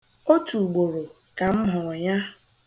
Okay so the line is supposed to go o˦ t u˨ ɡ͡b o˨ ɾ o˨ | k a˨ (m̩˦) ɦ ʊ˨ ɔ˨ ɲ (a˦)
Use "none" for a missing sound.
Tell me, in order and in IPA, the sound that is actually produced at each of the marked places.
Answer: m̩˦, a˦

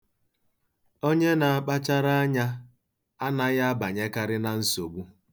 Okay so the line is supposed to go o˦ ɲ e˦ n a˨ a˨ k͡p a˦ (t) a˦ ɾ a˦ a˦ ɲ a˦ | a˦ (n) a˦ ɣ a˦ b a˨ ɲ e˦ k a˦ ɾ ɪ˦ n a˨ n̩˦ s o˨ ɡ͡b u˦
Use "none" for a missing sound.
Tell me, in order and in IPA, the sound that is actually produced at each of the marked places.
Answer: t͡ʃ, n

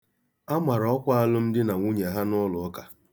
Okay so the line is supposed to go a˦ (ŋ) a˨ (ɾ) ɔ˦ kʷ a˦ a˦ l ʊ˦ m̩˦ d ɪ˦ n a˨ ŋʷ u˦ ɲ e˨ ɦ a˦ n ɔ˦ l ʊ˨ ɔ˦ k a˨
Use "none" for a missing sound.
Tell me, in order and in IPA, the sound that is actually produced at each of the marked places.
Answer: m, ɾ

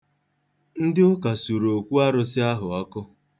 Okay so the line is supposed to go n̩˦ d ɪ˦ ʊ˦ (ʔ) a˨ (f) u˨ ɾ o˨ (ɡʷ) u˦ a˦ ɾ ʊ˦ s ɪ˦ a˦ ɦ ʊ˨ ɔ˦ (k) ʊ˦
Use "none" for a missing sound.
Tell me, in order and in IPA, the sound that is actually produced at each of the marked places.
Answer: k, s, kʷ, k

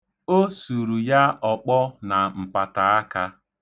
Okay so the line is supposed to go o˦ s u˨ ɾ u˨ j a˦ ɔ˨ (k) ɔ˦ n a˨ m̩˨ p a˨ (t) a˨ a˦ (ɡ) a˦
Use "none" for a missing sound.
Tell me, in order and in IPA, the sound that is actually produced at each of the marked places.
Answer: k͡p, t, k

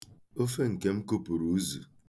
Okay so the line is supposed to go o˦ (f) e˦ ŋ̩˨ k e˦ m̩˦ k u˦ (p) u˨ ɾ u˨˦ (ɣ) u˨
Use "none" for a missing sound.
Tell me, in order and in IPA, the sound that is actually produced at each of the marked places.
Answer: f, p, z

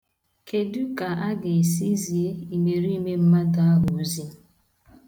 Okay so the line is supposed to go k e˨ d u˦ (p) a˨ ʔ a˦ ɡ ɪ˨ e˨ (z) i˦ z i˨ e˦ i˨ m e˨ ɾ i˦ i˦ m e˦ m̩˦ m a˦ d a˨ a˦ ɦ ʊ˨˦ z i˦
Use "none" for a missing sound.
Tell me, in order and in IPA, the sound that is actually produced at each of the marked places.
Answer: k, s

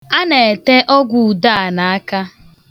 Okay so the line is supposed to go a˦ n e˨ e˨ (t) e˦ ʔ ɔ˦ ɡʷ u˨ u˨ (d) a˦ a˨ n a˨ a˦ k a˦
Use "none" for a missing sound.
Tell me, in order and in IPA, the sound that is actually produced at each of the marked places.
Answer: t, d

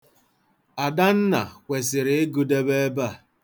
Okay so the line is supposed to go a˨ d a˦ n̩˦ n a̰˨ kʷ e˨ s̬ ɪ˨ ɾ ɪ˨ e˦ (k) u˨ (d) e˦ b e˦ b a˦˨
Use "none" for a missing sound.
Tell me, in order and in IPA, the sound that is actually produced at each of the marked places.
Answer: ɡ, d

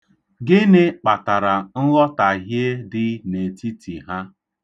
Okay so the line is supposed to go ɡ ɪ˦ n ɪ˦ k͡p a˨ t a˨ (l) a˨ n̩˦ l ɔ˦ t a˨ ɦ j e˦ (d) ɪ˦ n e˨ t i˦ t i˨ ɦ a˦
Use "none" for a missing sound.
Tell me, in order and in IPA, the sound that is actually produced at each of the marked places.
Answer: ɾ, d

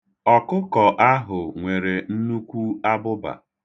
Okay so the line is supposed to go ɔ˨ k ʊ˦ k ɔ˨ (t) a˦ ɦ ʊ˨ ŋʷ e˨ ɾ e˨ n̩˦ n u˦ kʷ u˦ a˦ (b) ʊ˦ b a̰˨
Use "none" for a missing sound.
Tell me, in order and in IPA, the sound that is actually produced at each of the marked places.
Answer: ʔ, b

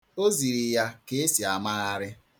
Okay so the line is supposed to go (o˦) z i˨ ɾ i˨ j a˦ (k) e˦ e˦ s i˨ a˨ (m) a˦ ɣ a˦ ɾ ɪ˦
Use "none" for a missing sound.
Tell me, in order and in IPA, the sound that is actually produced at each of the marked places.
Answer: o˦, k, m

